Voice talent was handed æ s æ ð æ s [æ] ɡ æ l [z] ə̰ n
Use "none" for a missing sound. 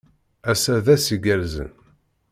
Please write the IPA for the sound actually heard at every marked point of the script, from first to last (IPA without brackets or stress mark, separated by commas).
i, z